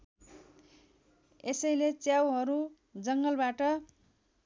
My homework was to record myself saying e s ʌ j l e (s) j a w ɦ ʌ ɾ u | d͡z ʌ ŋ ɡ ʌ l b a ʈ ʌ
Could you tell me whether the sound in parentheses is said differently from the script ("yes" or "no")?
yes